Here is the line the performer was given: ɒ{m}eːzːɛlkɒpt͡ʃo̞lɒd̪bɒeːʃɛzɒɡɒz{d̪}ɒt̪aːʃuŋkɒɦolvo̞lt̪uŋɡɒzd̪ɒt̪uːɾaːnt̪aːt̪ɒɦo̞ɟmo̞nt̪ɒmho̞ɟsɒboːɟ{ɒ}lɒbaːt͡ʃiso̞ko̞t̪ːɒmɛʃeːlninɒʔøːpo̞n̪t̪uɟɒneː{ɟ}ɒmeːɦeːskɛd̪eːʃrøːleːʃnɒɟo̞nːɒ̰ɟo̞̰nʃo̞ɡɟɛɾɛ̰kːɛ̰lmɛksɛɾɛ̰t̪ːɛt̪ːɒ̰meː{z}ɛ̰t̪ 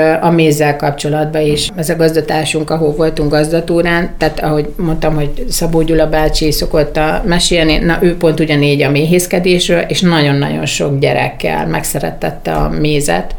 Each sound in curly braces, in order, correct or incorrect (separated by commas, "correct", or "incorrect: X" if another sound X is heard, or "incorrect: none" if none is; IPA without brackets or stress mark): correct, correct, incorrect: u, correct, correct